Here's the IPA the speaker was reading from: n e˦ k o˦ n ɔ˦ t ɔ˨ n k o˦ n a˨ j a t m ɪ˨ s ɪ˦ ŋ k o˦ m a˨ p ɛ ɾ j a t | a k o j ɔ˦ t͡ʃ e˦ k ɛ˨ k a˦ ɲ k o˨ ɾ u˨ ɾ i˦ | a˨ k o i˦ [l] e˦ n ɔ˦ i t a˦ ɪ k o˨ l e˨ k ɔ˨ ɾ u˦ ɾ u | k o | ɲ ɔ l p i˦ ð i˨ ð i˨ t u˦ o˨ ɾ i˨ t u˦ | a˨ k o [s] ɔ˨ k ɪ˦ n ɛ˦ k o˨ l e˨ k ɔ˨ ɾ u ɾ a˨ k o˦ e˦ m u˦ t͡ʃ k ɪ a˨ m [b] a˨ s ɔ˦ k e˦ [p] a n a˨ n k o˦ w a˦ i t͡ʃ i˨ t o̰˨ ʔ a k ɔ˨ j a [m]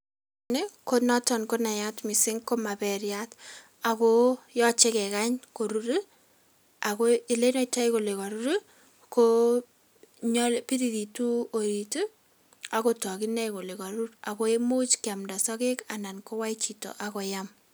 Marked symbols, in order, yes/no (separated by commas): yes, no, no, no, yes